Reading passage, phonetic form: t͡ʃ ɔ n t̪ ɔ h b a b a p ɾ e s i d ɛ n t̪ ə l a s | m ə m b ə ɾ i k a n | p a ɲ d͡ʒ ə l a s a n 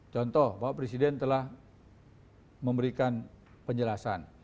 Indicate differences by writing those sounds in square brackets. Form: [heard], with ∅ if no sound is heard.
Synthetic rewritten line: t͡ʃ ɔ n t̪ ɔ h b a [w] a p ɾ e s i d ɛ n t̪ ə l a [h] | m ə m b ə ɾ i k a n | p [ə] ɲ d͡ʒ ə l a s a n